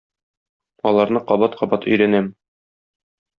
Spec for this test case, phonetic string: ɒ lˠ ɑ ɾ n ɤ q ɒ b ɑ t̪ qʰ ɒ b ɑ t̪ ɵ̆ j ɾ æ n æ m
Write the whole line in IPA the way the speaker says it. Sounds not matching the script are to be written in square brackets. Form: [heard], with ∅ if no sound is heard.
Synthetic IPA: ɒ lˠ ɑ ɾ n ɤ q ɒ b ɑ t̪ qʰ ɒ b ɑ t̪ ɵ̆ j ɾ æ n æ m